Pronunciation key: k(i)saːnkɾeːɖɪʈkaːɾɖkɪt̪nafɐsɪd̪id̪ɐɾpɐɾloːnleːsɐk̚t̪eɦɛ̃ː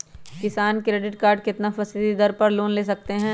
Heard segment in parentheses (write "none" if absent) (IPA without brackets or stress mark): ɪ